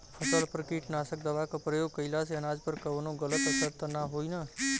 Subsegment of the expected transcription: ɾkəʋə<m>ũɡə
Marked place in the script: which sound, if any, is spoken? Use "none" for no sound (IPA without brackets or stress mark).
n